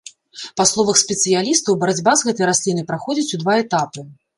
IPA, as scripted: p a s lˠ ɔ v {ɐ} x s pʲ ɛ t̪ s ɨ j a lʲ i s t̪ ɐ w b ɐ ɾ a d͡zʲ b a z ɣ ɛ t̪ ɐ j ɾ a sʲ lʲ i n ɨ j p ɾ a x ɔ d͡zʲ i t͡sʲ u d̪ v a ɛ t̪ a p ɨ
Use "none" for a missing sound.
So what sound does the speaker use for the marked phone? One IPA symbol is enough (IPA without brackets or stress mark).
ɐ